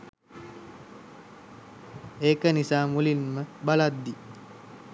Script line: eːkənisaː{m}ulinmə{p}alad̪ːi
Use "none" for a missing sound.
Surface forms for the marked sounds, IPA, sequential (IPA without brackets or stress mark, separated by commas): m, b